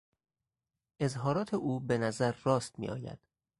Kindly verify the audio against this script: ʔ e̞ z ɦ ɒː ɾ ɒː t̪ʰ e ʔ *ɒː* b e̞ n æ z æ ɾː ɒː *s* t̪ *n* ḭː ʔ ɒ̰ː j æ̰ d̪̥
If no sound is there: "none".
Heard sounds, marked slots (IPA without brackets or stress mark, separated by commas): uː, s, m